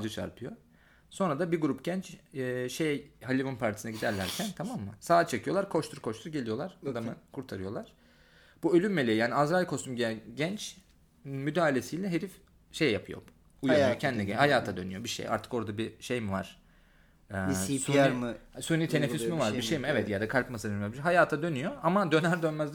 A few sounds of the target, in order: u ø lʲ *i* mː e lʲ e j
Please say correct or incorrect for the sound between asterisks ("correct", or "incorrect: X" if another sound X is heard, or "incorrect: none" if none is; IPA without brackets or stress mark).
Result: incorrect: y